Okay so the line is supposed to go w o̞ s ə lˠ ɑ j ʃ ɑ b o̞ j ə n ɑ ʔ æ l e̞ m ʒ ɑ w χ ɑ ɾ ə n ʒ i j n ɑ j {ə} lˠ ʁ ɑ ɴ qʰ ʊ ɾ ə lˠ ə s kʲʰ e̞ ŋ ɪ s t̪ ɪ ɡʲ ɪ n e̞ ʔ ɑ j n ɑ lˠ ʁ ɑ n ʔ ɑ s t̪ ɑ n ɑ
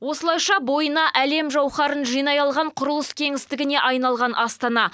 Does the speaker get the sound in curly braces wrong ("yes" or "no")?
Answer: yes